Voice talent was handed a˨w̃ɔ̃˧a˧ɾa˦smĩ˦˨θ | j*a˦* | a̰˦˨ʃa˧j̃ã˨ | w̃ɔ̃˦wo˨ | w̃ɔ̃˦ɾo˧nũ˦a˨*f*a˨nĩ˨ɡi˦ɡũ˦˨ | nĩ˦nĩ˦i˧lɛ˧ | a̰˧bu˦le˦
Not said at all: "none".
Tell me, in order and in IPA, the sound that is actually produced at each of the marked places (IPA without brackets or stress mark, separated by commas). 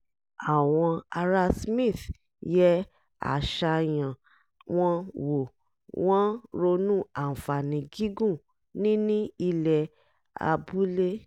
ɛ˦, f